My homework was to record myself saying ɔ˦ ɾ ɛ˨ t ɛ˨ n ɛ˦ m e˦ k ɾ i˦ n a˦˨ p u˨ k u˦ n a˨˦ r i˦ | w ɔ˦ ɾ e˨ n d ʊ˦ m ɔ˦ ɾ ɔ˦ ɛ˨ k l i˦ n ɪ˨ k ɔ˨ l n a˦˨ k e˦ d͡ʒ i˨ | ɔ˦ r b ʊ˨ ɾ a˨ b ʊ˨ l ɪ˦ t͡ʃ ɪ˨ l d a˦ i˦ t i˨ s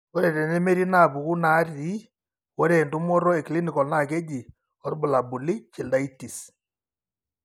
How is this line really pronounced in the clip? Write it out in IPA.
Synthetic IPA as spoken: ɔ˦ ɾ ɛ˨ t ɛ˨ n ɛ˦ m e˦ ɾ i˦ n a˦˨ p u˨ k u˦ n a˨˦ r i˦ | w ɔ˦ ɾ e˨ n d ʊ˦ m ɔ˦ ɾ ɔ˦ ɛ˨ k l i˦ n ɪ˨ k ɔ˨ l n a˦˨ k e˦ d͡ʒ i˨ | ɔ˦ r b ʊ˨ l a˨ b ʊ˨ l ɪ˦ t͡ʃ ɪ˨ l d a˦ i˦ t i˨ s